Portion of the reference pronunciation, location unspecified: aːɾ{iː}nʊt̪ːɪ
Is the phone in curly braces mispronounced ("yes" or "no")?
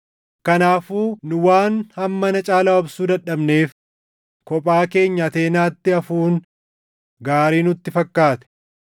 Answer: no